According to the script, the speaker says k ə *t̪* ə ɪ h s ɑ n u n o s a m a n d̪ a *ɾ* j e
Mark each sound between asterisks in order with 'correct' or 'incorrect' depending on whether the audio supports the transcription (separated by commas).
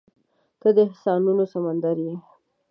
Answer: incorrect, correct